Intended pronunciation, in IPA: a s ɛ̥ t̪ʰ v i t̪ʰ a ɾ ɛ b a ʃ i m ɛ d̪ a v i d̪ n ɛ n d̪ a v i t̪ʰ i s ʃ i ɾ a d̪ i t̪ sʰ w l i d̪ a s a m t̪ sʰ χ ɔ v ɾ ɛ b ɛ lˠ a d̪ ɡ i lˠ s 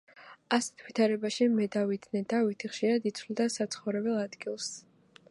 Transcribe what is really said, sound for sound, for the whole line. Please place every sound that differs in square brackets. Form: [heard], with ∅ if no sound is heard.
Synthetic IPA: a s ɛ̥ t̪ʰ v i t̪ʰ a ɾ ɛ b a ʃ i m ɛ d̪ a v i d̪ n ɛ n d̪ a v i t̪ʰ i [χ] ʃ i ɾ a d̪ i t̪ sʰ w l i d̪ a s a [∅] t̪ sʰ χ ɔ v ɾ ɛ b ɛ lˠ a d̪ ɡ i lˠ s